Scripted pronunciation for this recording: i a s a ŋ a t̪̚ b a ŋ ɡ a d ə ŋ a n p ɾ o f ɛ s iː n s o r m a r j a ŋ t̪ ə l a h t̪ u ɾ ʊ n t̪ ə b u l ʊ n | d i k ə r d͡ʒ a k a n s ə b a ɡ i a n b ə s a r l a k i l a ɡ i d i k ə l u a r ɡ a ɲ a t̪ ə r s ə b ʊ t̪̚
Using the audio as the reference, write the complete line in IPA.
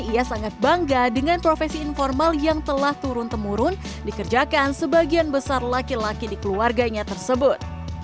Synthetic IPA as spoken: i a s a ŋ a t̪̚ b a ŋ ɡ a d ə ŋ a n p ɾ o f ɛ s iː n f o r m a l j a ŋ t̪ ə l a h t̪ u ɾ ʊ n t̪ ə m u ɾ ʊ n | d i k ə r d͡ʒ a k a n s ə b a ɡ i a n b ə s a r l a k i l a k i d i k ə l u a r ɡ a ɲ a t̪ ə r s ə b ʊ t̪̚